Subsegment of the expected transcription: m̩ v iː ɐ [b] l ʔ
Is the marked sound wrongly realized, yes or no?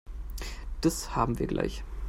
yes